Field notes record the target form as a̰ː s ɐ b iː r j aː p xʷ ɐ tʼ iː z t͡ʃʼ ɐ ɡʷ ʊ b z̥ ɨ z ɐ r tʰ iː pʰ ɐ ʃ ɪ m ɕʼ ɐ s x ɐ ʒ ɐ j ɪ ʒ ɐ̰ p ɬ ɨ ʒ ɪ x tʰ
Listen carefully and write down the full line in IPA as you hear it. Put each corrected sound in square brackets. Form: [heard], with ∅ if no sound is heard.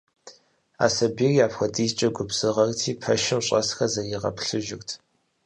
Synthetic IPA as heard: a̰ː s ɐ b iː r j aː p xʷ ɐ tʼ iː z t͡ʃʼ ɐ ɡʷ ʊ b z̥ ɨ [ʁ] ɐ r tʰ iː pʰ ɐ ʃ ɪ m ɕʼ ɐ s x ɐ [z] ɐ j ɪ [ʁ] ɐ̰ p ɬ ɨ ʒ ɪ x tʰ